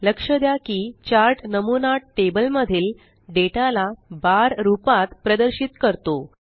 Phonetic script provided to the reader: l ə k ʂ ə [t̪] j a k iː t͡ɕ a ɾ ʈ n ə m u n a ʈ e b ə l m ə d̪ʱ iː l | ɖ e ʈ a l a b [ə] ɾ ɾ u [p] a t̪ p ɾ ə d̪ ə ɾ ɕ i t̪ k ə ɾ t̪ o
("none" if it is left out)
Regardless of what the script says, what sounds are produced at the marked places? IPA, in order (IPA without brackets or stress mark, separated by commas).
d̪, a, p